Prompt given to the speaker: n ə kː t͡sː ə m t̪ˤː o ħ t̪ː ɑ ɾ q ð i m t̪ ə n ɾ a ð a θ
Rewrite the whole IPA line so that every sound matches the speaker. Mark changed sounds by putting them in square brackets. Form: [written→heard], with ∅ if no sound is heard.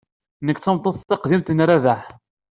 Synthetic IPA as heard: n ə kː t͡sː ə m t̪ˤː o [ħ→θ] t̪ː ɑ [ɾ→∅] q ð i m t̪ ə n ɾ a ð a [θ→ħ]